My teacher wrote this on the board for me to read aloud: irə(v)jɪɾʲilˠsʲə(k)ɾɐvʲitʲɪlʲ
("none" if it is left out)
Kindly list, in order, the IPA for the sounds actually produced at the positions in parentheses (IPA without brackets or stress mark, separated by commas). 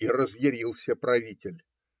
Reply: z, p